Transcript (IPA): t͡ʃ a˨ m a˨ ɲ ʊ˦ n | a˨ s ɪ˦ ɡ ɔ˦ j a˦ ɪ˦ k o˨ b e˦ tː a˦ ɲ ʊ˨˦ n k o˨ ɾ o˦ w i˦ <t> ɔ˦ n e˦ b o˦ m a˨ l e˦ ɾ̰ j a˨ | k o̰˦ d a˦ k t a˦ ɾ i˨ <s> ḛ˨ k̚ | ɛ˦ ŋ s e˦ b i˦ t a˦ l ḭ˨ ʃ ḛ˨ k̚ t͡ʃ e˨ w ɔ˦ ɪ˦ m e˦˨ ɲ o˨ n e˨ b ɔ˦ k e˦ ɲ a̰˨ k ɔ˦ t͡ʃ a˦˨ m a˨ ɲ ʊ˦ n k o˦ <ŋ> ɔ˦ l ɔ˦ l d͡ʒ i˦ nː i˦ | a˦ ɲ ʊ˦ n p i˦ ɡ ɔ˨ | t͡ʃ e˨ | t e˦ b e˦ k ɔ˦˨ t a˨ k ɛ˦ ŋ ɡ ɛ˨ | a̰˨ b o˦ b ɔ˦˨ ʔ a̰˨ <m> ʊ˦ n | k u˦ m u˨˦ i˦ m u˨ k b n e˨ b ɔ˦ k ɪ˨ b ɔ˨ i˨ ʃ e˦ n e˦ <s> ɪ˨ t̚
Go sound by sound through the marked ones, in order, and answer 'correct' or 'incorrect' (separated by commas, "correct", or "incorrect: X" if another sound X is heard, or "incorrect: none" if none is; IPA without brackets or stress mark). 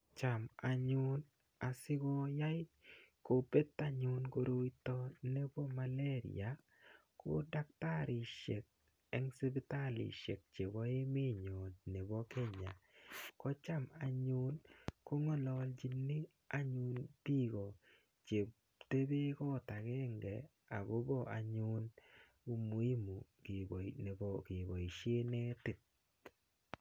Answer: correct, incorrect: ʃ, correct, incorrect: ɲ, incorrect: t